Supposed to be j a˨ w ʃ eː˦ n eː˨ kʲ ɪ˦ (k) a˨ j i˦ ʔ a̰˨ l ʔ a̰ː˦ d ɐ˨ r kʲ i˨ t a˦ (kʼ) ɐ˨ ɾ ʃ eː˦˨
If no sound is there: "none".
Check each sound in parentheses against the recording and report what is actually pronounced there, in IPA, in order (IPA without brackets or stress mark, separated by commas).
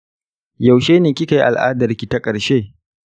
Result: k, kʼ